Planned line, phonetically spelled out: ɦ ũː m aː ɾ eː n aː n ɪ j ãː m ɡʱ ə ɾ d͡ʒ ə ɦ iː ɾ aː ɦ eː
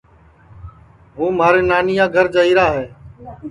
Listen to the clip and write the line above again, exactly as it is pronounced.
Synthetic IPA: ɦ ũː m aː ɾ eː n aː n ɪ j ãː ɡʱ ə ɾ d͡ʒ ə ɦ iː ɾ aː ɦ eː